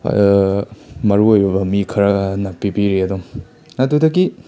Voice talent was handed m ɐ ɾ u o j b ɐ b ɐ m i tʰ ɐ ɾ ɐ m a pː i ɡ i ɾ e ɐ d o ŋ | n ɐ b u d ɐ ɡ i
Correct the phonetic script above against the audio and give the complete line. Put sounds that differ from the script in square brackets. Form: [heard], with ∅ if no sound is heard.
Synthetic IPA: m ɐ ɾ u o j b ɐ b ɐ m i [kʰ] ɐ ɾ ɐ [n] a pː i [b] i ɾ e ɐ d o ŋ | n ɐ [d] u d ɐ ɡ i